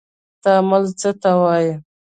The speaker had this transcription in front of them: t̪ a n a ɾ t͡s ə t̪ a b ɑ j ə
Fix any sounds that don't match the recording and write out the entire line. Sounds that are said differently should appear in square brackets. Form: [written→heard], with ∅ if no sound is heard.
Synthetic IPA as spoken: t̪ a [n→m] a [ɾ→l] t͡s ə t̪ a [b→w] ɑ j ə